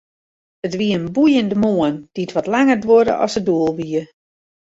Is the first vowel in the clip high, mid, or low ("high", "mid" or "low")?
mid